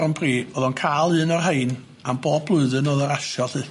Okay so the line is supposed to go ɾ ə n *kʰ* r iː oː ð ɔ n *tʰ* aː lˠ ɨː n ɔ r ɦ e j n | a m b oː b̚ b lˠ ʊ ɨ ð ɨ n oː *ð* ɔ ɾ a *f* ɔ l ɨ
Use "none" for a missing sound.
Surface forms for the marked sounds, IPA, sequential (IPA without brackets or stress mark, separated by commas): pʰ, kʰ, ð, ʃ